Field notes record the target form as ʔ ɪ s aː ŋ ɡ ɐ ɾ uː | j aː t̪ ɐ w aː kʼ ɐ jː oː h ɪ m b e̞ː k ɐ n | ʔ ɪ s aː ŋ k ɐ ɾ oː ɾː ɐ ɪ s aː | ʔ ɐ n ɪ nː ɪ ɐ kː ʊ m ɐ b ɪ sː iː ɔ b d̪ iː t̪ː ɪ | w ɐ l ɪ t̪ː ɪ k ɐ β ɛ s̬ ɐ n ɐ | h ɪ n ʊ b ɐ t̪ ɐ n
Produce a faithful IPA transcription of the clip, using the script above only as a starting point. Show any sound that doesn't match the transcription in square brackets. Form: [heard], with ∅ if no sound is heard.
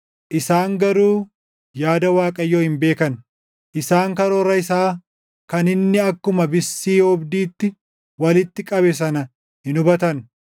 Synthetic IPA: ʔ ɪ s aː ŋ ɡ ɐ ɾ uː | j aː [d̪] ɐ w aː kʼ ɐ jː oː h ɪ m b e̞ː k ɐ n | ʔ ɪ s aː ŋ k ɐ ɾ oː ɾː ɐ ɪ s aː | [k] ɐ n ɪ nː ɪ ɐ kː ʊ m ɐ b ɪ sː iː ɔ b d̪ iː t̪ː ɪ | w ɐ l ɪ t̪ː ɪ [kʼ] ɐ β ɛ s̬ ɐ n ɐ | h ɪ n ʊ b ɐ t̪ ɐ n